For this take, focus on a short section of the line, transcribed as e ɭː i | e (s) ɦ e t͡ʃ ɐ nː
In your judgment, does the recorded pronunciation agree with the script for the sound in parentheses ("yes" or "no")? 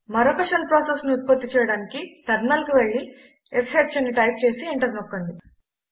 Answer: yes